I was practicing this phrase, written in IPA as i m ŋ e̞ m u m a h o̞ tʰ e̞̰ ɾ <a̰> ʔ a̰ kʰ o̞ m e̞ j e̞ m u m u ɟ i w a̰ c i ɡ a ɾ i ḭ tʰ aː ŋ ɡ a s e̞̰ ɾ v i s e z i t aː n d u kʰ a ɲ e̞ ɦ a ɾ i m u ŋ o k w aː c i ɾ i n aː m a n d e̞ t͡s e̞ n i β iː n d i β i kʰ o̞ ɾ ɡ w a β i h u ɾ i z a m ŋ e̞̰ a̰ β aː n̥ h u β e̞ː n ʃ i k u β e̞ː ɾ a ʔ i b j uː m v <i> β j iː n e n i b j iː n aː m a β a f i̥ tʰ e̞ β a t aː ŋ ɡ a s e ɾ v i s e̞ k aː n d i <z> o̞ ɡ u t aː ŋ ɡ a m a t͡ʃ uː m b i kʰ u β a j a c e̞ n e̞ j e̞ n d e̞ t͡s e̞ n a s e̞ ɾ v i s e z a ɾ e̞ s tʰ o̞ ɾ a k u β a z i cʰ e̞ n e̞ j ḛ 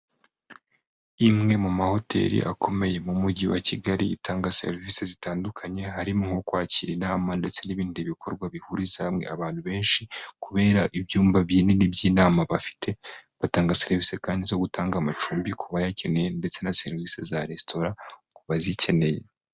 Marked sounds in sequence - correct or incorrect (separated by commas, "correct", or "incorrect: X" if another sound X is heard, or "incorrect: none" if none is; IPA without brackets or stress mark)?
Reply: incorrect: ḭ, incorrect: a, correct